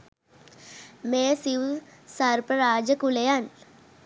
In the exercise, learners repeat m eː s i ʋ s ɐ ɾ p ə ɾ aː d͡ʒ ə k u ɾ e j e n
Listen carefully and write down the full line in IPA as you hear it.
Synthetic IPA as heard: m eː s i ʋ s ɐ ɾ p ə ɾ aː d͡ʒ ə k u l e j a n